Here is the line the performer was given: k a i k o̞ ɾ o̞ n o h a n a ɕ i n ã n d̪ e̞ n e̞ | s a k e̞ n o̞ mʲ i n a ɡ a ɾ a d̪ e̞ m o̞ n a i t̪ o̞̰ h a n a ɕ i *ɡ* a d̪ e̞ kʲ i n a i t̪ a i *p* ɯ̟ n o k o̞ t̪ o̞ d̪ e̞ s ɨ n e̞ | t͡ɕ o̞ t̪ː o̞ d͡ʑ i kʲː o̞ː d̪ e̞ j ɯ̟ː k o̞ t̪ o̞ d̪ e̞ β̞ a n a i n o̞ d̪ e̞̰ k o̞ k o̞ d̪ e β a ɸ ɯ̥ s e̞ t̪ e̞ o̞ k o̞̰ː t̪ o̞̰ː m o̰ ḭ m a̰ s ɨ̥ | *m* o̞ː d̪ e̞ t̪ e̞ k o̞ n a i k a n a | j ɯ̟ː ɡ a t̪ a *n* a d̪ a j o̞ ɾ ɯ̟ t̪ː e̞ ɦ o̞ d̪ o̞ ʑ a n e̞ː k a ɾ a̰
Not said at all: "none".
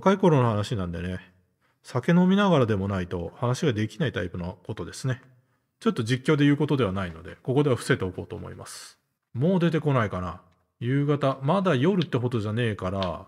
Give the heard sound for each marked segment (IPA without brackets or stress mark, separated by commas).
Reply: ɡ, p, m, m